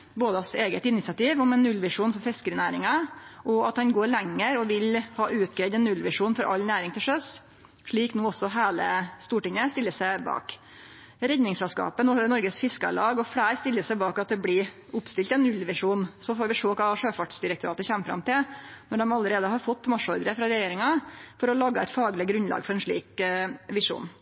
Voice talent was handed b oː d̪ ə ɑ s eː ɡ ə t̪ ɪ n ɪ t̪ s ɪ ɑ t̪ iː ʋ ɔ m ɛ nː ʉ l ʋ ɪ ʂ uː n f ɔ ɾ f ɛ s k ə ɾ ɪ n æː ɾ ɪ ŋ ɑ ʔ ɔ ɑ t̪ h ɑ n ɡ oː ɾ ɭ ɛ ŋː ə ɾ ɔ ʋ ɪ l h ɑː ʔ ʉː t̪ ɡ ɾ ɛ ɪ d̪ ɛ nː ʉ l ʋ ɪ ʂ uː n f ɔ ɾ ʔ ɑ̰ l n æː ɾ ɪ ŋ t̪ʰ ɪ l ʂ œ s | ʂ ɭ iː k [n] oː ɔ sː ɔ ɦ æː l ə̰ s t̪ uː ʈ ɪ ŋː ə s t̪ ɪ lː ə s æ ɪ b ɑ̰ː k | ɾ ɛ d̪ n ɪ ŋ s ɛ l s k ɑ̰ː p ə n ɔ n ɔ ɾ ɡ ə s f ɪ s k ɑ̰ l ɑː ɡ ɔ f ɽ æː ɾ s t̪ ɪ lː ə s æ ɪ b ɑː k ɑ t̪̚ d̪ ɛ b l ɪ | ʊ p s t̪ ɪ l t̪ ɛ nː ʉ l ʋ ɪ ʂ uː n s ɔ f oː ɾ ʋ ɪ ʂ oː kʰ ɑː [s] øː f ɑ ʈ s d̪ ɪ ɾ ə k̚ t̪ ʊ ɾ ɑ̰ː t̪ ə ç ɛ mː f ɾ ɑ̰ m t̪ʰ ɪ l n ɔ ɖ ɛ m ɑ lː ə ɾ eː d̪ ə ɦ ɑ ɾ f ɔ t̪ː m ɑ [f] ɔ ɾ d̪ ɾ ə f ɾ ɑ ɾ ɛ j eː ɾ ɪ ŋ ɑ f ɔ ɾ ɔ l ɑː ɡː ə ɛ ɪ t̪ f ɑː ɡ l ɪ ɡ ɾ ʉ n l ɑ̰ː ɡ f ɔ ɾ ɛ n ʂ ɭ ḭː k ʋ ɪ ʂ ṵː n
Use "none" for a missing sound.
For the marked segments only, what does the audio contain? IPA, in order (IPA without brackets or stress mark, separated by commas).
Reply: n, ʂ, ʂ